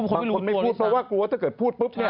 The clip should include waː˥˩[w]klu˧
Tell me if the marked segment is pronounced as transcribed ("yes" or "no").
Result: no